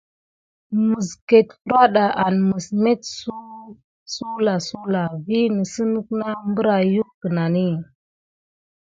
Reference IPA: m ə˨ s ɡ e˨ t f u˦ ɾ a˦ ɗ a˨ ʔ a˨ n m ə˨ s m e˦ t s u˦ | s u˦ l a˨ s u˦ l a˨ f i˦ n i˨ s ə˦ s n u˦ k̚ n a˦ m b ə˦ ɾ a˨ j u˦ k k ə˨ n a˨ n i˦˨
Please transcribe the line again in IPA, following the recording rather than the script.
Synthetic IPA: m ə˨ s k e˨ t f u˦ ɾ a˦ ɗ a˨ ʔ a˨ n m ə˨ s m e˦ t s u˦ | s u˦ l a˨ s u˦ l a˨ v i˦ n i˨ s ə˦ n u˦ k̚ n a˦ m b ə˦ ɾ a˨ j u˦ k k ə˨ n a˨ n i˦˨